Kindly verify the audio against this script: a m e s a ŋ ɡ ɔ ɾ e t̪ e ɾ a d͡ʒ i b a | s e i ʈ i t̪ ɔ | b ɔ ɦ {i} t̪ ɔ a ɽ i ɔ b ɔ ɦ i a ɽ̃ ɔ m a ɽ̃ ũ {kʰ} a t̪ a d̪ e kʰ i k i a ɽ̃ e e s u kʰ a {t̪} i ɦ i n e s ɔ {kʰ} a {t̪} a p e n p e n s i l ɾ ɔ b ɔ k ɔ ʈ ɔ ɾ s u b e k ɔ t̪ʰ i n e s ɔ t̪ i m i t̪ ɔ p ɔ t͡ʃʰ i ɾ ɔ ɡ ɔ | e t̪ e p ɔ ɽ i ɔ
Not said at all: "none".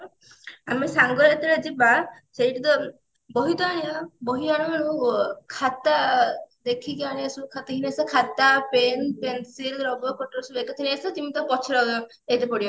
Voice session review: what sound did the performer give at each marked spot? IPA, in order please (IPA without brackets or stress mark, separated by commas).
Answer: i, kʰ, t̪, kʰ, t̪